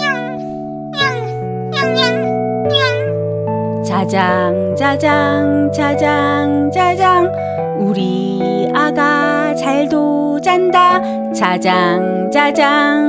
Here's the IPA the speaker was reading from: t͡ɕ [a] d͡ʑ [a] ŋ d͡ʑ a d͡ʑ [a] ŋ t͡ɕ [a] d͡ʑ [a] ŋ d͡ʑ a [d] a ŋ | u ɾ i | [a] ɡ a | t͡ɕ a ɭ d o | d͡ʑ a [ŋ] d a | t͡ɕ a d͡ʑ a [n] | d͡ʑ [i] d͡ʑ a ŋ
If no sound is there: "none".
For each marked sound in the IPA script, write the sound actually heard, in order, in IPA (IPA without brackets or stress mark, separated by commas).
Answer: a, a, a, a, a, d͡ʑ, a, n, ŋ, a